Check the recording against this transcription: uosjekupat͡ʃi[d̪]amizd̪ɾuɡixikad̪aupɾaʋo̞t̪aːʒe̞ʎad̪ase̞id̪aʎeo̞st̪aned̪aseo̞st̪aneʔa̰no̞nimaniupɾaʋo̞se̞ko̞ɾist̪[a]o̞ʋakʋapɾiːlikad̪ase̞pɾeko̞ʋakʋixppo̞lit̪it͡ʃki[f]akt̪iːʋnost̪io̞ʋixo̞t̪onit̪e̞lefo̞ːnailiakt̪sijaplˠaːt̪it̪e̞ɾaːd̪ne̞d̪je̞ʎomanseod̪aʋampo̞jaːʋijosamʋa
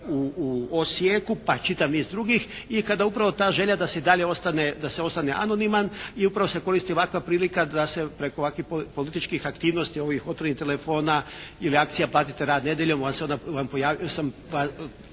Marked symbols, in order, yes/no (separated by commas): no, no, no